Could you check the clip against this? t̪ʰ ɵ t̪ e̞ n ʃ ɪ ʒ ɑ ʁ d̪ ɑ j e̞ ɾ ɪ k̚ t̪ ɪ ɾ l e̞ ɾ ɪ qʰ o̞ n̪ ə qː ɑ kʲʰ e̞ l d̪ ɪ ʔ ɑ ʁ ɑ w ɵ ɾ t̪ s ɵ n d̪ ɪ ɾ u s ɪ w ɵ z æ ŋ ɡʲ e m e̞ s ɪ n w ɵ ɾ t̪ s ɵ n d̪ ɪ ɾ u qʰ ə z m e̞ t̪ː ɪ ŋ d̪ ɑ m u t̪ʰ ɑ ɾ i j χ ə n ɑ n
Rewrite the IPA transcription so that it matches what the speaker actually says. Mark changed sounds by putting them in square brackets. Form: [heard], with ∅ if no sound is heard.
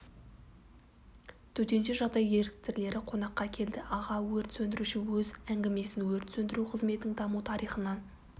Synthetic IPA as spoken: t̪ʰ ɵ t̪ e̞ n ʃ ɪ ʒ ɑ ʁ d̪ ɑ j e̞ ɾ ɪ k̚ t̪ ɪ ɾ l e̞ ɾ ɪ qʰ o̞ n̪ [ɑ] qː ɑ kʲʰ e̞ l d̪ ɪ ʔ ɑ ʁ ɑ w ɵ ɾ t̪ s ɵ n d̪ ɪ ɾ u [ʃ] ɪ w ɵ z æ ŋ ɡʲ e m e̞ s ɪ n w ɵ ɾ t̪ s ɵ n d̪ ɪ ɾ u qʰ ə z m e̞ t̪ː ɪ ŋ d̪ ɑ m u t̪ʰ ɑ ɾ i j χ ə n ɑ n